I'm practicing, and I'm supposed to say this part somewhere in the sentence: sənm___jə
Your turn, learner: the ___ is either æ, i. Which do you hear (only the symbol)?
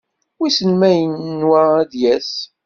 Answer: æ